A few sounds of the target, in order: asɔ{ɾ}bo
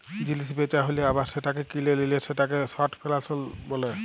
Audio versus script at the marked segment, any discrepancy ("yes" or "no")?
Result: yes